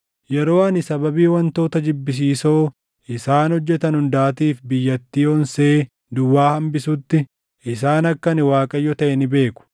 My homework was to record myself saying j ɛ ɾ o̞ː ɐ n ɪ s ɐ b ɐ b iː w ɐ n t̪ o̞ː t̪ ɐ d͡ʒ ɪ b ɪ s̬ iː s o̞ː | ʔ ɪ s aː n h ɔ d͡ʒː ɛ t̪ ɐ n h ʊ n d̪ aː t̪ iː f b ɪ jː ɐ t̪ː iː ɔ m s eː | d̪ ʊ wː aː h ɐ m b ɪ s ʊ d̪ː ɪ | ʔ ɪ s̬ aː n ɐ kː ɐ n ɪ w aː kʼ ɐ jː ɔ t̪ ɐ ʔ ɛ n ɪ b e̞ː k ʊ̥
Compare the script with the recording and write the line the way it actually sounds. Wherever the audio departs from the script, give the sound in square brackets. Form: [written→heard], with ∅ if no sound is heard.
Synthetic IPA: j ɛ ɾ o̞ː ɐ n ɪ s ɐ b ɐ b iː w ɐ n t̪ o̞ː t̪ ɐ d͡ʒ ɪ [b→bː] ɪ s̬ iː s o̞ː | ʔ ɪ s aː n h ɔ d͡ʒː ɛ t̪ ɐ n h ʊ n d̪ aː t̪ iː f b ɪ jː ɐ t̪ː iː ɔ [m→n] s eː | d̪ ʊ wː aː h ɐ m b ɪ s ʊ [d̪ː→t̪ː] ɪ | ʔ ɪ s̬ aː n ɐ kː ɐ n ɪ w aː kʼ ɐ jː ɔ t̪ ɐ ʔ ɛ n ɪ b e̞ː k ʊ̥